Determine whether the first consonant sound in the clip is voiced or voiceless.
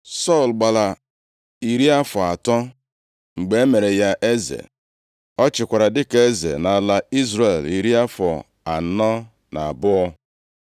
voiceless